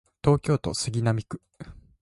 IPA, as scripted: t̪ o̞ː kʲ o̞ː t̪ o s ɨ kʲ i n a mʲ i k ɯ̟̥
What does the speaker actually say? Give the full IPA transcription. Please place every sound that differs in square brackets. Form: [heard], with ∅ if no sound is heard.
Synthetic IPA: t̪ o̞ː kʲ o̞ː t̪ o s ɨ [ɡʲ] i n a mʲ i k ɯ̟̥